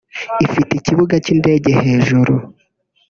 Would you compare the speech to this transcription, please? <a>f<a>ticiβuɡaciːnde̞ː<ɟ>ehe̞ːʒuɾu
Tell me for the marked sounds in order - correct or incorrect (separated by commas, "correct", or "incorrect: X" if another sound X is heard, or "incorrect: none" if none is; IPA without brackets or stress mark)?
incorrect: i, incorrect: i, correct